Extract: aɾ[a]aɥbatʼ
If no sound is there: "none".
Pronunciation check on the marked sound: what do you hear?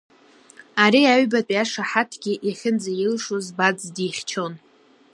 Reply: i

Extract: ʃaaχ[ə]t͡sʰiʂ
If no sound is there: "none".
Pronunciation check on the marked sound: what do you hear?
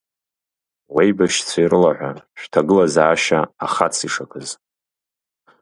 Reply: a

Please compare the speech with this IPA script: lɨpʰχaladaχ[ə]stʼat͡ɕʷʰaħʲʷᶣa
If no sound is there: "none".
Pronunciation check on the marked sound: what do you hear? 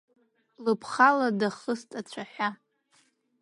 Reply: ə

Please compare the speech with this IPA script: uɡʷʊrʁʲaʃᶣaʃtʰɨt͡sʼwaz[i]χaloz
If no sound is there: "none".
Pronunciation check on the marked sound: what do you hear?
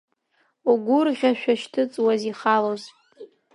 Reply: i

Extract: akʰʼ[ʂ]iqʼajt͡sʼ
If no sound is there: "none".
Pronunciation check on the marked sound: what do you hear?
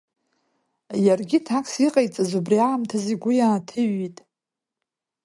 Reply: s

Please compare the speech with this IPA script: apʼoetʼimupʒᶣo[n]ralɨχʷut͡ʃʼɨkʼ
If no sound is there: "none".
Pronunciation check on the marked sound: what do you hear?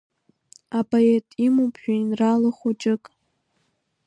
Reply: n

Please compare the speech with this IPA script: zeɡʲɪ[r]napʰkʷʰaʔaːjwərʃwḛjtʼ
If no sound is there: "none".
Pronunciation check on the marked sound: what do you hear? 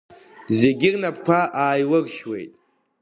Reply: r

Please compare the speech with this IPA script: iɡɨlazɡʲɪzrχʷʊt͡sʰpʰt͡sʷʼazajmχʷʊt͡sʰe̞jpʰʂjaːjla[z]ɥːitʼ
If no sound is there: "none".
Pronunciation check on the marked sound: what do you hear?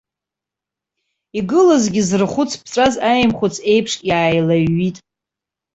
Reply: none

